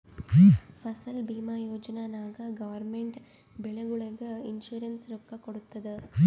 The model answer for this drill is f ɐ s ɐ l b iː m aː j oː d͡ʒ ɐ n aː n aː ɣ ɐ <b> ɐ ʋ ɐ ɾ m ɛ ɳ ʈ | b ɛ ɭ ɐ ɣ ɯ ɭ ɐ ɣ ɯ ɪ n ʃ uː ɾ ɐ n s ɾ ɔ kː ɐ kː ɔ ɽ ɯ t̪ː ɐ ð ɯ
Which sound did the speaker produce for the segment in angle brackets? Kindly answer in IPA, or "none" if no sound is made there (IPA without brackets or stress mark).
ɡ